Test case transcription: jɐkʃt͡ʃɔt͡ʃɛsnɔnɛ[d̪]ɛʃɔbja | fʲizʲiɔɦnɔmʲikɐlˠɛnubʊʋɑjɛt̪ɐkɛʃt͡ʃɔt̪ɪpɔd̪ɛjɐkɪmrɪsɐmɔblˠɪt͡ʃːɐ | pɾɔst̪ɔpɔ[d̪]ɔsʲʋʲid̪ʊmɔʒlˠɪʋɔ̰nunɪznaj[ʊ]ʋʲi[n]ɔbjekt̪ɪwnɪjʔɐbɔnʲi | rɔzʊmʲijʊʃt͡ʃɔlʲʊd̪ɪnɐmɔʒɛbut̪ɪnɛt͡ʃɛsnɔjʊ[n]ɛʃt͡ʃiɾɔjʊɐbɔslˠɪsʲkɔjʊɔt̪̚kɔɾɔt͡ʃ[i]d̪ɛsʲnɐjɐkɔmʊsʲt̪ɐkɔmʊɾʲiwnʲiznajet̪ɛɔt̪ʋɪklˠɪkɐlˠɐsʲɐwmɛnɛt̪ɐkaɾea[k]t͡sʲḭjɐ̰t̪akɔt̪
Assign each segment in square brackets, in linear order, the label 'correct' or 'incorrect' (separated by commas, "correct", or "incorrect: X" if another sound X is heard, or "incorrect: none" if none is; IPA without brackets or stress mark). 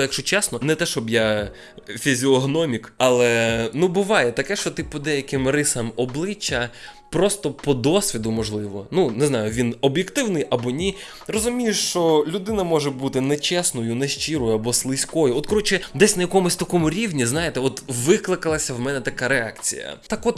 incorrect: t̪, correct, correct, correct, correct, incorrect: ɪ, correct